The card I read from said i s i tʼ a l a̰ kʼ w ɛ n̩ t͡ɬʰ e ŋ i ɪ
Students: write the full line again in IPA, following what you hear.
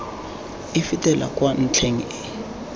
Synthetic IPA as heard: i f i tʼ ɛ l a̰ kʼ w a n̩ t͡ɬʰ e ŋ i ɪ

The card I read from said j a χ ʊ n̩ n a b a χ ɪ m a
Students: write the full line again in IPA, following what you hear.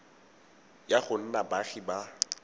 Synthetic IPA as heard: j a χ ʊ n̩ n a b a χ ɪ b a

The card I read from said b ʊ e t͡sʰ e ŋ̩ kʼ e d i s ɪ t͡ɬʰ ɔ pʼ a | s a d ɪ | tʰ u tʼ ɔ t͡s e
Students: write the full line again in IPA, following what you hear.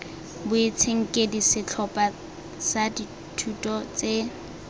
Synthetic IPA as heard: b ʊ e t͡sʰ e ŋ̩ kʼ e d i s ɪ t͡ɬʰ ɔ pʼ a | s a d i | tʰ u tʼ ɔ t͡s e

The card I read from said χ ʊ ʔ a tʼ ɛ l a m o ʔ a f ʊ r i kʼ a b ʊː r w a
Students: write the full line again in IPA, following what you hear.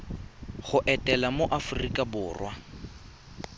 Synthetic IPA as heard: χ ʊ ʔ ɛ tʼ ɛ l a m o ʔ a f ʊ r i kʼ a b ʊː r w a

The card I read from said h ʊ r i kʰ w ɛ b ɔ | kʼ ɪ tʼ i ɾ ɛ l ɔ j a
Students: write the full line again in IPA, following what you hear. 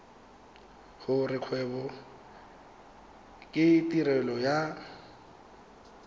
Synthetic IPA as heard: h ʊ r ɪ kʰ w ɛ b ɔ | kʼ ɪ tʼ i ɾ ɛ l ɔ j a

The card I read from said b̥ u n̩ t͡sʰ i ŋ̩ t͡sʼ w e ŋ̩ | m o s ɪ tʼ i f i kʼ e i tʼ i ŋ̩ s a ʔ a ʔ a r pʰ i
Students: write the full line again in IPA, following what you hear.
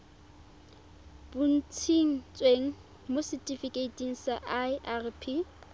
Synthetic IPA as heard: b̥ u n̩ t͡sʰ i ŋ̩ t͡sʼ w e ŋ̩ | m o s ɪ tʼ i f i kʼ e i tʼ i ŋ̩ s a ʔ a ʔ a r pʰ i

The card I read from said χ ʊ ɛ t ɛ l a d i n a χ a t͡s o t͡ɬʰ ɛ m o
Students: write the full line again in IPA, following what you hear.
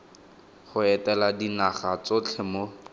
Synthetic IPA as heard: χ ʊ ɛ t ɛ l a d i n a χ a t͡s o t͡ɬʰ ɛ m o

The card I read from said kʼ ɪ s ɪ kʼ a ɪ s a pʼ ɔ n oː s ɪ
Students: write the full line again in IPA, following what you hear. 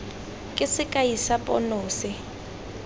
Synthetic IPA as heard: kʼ ɪ s ɪ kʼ a i s a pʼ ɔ n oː s ɪ

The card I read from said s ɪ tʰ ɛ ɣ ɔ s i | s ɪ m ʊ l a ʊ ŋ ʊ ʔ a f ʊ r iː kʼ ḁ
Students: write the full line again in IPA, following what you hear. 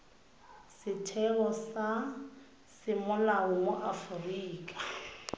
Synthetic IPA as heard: s ɪ tʰ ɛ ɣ ɔ s a | s ɪ m ʊ l a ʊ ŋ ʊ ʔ a f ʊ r iː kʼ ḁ

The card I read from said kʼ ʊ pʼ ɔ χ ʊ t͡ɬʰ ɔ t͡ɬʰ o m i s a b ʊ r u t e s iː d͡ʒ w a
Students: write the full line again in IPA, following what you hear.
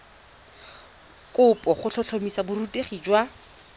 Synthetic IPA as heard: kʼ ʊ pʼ ɔ χ ʊ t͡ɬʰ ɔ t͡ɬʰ o m i s a b ʊ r u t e χ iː d͡ʒ w a

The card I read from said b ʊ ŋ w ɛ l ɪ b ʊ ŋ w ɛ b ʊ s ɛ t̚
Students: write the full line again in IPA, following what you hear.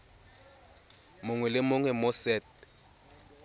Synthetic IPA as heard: m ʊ ŋ w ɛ l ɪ m ʊ ŋ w ɛ m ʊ s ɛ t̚

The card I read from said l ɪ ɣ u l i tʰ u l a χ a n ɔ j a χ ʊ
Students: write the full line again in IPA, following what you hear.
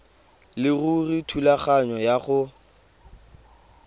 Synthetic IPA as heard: l ɪ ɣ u r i tʰ u l a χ a ɲ ɔ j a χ ʊ

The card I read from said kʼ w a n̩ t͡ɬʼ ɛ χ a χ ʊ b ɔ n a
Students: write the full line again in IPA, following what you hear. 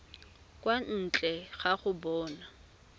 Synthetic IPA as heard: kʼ w a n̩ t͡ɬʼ ɛ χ a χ ʊ b ɔː n a

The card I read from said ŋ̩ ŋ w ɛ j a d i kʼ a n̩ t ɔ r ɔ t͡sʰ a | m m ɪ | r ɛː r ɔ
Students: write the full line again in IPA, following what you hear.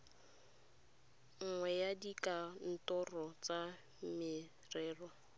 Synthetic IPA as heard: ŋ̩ ŋ w ɛ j a d i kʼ a n̩ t ɔ r ɔ t͡s a | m m ɪ | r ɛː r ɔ

